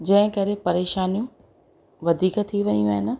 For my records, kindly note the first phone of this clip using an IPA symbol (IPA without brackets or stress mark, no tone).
d͡ʑ